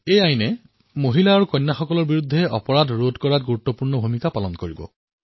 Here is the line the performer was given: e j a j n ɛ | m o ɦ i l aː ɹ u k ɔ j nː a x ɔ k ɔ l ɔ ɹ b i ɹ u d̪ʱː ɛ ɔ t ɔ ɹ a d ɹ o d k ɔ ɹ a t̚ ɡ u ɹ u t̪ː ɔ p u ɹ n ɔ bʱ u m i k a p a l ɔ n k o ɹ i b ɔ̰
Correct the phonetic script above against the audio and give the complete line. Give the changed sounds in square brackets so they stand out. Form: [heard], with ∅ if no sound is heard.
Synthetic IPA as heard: e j a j n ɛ | m o ɦ i l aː ɹ u k ɔ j nː a x ɔ k ɔ l ɔ ɹ b i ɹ u d̪ʱː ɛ ɔ [p] ɔ ɹ a d ɹ o d k ɔ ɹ a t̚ ɡ u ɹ u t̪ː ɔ p u ɹ n ɔ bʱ u m i k a p a l ɔ n k o ɹ i b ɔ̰